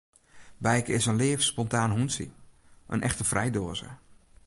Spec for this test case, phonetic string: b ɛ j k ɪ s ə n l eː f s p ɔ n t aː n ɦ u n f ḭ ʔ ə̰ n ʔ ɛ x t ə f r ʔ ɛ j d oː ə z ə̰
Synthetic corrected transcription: b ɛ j k ɪ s ə n l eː f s p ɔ n t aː n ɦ u n s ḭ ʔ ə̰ n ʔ ɛ x t ə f r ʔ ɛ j d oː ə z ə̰